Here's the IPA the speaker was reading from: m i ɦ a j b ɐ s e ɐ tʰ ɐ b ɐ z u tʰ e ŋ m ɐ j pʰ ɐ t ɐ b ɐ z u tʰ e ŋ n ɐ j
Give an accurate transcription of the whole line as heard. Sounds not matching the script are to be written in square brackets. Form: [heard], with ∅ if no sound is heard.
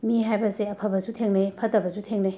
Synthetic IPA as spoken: m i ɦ a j b ɐ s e ɐ [pʰ] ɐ b ɐ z u tʰ e ŋ [n] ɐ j pʰ ɐ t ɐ b ɐ z u tʰ e ŋ n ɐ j